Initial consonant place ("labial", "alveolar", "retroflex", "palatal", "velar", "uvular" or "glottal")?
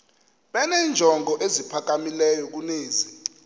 labial